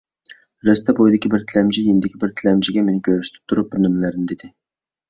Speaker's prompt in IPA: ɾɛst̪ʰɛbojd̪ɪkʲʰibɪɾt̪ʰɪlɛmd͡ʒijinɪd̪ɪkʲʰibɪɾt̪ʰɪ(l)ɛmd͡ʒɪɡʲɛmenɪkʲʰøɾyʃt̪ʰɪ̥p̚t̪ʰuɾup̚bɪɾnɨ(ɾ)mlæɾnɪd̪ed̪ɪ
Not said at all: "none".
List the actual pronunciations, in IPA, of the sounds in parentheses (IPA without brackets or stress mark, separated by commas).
l, none